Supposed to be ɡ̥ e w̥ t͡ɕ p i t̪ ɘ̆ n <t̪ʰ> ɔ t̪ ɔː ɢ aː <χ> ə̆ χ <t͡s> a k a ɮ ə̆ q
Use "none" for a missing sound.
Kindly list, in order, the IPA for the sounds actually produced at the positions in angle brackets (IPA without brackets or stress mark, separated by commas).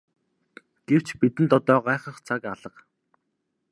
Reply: t̪, χ, t͡sʰ